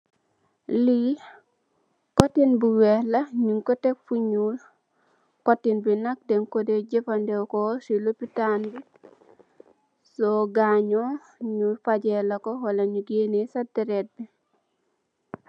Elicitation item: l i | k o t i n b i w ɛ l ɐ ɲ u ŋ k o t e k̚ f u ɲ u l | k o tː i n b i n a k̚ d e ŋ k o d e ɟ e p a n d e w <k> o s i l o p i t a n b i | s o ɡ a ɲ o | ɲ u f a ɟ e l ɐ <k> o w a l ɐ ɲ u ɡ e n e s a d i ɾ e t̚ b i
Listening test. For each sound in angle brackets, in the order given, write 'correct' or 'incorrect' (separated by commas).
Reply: correct, correct